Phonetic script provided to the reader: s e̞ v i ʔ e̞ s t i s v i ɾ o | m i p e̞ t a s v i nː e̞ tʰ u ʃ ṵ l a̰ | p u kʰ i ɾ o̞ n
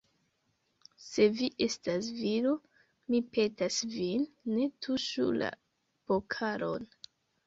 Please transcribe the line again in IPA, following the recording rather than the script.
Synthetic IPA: s e̞ v i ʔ e̞ s t a s v i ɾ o | m i p e̞ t a s v i nː e̞ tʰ u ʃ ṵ l a̰ | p o kʰ a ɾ o̞ n